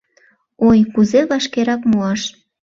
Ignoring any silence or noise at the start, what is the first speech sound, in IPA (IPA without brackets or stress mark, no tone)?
o